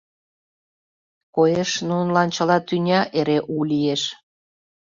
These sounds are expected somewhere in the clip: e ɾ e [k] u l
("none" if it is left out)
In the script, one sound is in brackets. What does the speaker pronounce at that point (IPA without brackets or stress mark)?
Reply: ʔ